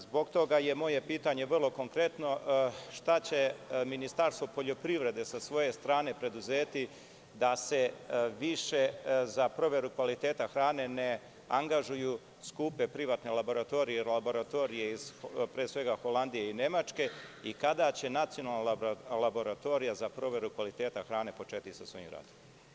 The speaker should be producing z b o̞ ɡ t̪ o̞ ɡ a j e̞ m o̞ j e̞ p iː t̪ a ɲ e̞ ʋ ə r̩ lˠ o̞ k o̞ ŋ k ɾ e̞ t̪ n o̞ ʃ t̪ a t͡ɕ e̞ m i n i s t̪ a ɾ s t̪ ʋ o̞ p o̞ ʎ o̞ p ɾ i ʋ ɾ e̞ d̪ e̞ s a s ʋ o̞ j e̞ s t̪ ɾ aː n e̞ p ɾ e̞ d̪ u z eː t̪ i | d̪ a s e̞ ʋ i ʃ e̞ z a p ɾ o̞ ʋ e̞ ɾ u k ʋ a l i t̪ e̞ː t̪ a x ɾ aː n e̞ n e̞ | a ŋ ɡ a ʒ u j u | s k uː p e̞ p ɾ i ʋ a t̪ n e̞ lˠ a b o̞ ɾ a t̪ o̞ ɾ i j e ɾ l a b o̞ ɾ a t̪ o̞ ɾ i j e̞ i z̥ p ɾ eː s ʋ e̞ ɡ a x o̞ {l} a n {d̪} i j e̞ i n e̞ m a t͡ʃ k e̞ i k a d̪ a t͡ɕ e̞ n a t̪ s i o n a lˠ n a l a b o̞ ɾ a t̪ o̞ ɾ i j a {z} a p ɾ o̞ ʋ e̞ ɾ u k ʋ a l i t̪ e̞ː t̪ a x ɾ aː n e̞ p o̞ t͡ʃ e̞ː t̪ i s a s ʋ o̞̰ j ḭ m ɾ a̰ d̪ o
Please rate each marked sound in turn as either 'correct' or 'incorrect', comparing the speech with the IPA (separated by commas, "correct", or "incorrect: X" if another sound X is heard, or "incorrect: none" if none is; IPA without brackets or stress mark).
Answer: correct, correct, correct